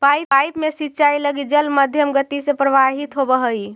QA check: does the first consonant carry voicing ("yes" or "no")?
no